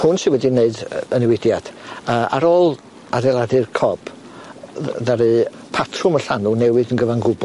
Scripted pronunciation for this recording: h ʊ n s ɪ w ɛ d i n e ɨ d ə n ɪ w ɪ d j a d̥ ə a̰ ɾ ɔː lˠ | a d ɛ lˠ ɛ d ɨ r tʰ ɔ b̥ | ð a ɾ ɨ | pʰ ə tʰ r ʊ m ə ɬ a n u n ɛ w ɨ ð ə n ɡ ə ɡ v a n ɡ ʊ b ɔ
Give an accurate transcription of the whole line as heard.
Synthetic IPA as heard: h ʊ n s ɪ w ɛ d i n e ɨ d ə n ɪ w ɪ d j a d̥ ə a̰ ɾ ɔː lˠ | a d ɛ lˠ a d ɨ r kʰ ɔ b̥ | ð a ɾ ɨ | pʰ a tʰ r ʊ m ə ɬ a n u n ɛ w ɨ ð ə n ɡ ə v a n ɡ ʊ b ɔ